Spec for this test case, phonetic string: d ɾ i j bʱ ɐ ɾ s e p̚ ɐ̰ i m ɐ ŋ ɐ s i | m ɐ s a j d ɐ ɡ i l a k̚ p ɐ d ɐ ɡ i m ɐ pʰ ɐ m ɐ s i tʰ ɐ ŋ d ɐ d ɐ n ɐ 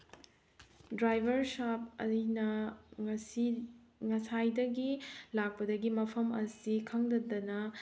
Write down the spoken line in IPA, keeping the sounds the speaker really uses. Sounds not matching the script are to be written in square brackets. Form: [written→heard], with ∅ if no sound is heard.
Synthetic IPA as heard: d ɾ [i→a] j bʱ ɐ ɾ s [e→a] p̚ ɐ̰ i [m→n] ɐ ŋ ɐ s i | [m→ŋ] ɐ s a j d ɐ ɡ i l a k̚ p ɐ d ɐ ɡ i m ɐ pʰ ɐ m ɐ s i [tʰ→kʰ] ɐ ŋ d ɐ d ɐ n ɐ